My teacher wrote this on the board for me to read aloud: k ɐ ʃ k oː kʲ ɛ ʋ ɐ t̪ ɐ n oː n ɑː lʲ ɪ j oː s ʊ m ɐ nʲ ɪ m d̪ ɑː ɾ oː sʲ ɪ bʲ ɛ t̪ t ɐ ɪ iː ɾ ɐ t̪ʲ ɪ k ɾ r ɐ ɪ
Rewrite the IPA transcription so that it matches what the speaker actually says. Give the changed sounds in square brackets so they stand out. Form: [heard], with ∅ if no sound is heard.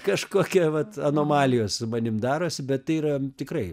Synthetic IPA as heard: k ɐ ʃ k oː kʲ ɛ ʋ ɐ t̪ ɐ n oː [m] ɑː lʲ ɪ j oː s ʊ m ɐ nʲ ɪ m d̪ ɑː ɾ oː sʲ ɪ bʲ ɛ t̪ t ɐ ɪ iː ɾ ɐ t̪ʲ ɪ k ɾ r ɐ ɪ